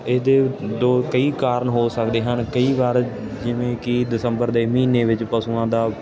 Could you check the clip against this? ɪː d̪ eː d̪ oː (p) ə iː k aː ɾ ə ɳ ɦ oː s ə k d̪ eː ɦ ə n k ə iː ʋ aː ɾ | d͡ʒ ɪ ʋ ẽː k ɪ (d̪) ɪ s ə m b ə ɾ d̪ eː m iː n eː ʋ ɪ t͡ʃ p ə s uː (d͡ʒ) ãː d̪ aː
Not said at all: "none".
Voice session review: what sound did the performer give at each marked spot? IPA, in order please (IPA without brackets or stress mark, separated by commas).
k, d̪, none